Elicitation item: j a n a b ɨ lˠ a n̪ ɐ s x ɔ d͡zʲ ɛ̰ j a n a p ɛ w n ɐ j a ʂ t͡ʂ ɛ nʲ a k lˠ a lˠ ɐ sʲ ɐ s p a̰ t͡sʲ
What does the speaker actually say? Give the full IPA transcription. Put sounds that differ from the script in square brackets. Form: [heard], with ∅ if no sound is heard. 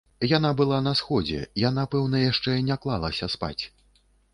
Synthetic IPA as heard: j a n a b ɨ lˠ a n̪ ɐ s x ɔ d͡zʲ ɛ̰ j a n a p ɛ w n ɐ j a ʂ t͡ʂ ɛ nʲ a k lˠ a lˠ ɐ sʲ ɐ s p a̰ t͡sʲ